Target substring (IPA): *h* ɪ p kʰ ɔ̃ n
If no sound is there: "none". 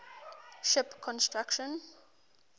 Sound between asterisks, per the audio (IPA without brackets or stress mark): ʃ